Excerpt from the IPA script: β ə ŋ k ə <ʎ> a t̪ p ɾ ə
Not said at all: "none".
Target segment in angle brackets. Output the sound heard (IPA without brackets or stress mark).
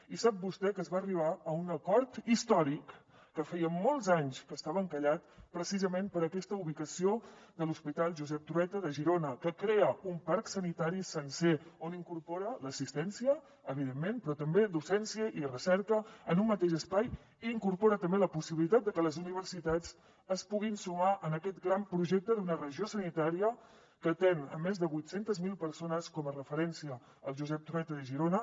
ʎ